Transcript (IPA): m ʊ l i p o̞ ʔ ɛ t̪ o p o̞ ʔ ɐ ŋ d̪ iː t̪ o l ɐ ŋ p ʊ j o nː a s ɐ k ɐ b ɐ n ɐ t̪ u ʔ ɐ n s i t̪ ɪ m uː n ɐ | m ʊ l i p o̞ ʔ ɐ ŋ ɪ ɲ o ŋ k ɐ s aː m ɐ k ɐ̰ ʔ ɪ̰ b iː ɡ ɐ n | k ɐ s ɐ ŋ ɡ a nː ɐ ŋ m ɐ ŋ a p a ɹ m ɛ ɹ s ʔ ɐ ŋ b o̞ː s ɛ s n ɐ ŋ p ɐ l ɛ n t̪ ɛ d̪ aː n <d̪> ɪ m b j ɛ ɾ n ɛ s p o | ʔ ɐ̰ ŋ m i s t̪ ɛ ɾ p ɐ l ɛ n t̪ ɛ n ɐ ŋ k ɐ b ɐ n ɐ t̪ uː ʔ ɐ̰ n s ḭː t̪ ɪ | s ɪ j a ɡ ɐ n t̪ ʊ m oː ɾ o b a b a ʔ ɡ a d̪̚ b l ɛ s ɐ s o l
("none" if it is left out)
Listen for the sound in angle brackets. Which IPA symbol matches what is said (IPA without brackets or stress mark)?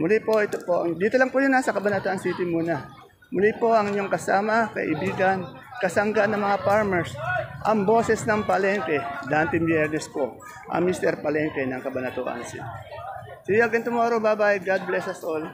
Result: t̪